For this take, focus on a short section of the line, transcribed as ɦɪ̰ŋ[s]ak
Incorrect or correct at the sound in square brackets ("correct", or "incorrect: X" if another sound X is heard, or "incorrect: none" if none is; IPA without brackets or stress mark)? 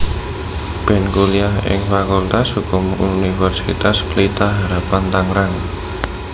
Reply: incorrect: f